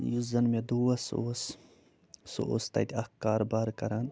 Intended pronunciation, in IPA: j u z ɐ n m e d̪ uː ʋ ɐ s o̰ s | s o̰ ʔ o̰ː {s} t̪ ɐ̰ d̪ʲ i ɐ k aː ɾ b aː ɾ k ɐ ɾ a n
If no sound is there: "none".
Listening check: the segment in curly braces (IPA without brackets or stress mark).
s